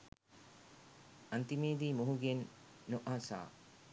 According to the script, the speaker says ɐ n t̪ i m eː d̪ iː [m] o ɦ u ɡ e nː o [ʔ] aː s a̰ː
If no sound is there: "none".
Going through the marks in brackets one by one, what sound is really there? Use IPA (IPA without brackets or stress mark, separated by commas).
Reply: m, ʔ